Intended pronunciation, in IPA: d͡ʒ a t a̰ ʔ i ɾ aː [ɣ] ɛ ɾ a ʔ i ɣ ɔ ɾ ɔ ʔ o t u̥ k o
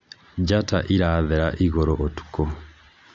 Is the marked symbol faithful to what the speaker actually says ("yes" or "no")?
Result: no